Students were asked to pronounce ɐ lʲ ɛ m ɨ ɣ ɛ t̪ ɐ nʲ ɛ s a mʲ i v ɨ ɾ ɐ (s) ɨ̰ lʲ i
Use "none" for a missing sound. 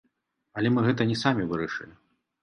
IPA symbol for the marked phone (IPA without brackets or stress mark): ʂ